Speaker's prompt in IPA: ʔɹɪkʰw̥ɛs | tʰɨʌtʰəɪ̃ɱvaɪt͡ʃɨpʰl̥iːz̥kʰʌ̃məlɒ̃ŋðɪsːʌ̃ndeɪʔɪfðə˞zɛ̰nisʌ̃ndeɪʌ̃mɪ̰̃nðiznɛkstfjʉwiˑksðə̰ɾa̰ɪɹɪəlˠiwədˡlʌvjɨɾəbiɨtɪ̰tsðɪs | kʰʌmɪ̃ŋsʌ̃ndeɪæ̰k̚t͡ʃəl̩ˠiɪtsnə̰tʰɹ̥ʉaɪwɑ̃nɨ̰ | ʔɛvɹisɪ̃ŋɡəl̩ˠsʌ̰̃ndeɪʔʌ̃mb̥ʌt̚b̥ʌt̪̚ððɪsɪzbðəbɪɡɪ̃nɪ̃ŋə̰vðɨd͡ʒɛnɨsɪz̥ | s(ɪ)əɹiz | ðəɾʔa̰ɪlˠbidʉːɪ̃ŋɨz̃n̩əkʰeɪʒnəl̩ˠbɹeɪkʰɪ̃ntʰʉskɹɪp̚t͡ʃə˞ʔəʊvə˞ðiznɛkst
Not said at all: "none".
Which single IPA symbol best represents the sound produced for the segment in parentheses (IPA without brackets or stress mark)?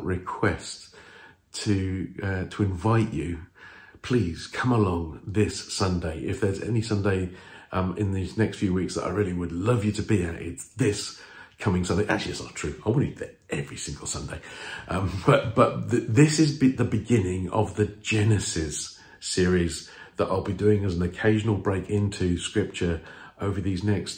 ɪ